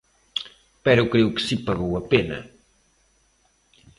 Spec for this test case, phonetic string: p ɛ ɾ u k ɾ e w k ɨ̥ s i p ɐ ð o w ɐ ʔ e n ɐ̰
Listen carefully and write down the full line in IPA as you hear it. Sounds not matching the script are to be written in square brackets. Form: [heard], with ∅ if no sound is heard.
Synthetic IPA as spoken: p ɛ ɾ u k ɾ e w k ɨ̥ s i p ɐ [ɣ] o w ɐ [p] e n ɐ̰